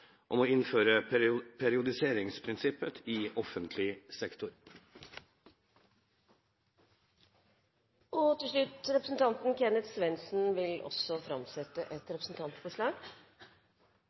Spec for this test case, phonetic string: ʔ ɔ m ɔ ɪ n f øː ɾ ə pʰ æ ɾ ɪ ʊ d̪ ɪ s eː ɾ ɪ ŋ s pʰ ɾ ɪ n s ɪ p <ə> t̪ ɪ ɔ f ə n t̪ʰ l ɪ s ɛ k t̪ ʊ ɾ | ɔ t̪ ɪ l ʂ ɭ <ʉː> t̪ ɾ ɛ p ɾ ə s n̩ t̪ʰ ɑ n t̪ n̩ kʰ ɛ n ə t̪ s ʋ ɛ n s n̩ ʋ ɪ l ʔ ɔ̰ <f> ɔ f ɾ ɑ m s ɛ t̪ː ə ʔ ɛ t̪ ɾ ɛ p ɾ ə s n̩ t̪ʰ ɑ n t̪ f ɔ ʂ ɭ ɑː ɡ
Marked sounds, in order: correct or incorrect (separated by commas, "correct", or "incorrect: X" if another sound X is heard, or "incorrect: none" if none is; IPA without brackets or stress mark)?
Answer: correct, incorrect: ʉ, incorrect: s